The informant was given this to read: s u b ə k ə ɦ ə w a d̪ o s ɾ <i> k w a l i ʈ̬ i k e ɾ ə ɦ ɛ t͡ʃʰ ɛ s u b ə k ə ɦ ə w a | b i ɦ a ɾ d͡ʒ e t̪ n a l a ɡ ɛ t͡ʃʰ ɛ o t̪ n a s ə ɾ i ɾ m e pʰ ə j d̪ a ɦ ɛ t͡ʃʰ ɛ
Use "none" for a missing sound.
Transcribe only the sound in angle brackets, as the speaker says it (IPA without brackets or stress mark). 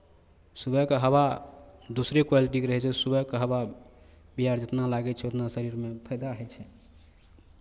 e